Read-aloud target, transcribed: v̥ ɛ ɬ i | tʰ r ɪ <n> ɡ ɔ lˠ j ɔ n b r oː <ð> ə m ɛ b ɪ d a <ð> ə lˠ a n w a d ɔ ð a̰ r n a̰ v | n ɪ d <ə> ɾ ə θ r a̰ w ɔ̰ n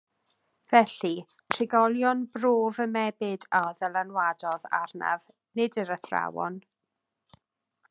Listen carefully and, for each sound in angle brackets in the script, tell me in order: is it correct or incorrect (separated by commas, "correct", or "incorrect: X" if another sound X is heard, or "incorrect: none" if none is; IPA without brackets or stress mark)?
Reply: incorrect: none, incorrect: v, correct, correct